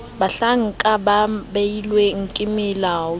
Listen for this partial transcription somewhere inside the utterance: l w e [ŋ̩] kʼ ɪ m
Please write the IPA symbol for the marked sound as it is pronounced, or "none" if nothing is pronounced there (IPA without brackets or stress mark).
ŋ̩